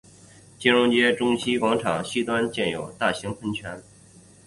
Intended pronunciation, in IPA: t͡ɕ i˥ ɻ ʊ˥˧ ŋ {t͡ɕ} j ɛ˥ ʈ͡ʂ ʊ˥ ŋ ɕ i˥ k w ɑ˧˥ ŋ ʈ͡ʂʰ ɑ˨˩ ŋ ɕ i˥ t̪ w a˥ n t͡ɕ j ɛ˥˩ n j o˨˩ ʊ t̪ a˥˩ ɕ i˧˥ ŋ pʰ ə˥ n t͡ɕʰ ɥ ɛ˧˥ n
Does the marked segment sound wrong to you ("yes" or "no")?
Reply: no